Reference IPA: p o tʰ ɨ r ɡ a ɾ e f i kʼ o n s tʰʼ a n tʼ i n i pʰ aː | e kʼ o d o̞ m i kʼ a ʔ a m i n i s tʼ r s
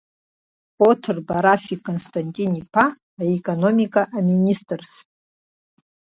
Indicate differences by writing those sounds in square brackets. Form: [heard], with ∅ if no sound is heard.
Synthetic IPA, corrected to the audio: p o tʰ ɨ r [b] a ɾ [a] f i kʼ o n s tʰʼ a n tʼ i n i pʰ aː | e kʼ o [n] o̞ m i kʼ a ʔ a m i n i s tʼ r s